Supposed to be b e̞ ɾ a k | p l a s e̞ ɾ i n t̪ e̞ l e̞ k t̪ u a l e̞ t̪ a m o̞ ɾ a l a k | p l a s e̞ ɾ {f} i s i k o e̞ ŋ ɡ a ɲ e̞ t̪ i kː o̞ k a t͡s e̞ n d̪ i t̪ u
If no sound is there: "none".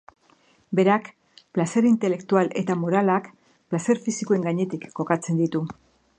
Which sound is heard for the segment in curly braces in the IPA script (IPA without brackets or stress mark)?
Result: f